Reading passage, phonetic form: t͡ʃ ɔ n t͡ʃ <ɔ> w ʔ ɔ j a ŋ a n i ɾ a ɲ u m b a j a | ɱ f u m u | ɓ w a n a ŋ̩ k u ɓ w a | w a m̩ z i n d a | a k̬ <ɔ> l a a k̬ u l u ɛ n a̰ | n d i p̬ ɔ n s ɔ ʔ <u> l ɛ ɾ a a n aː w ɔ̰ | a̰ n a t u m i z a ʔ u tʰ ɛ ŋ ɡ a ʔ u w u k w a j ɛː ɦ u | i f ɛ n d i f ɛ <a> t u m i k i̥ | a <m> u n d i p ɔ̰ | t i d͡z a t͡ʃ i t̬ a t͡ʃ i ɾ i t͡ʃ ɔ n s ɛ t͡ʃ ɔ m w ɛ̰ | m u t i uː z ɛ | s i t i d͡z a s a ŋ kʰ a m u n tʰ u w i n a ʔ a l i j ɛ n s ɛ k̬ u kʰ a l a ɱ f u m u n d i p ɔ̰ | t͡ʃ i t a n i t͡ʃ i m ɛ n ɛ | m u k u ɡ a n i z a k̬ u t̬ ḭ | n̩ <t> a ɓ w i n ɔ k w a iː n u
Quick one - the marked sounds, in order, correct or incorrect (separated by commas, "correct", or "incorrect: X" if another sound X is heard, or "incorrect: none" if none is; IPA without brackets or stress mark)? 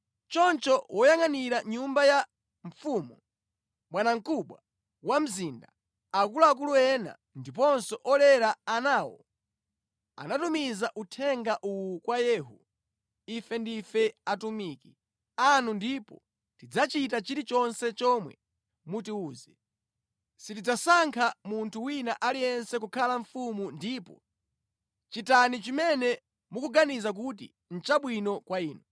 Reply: correct, incorrect: u, incorrect: ɔ, correct, incorrect: n, incorrect: t͡ʃ